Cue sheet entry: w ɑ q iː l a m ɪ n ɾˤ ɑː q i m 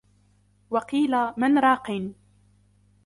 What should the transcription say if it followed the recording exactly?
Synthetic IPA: w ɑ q iː l a m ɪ n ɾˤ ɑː q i n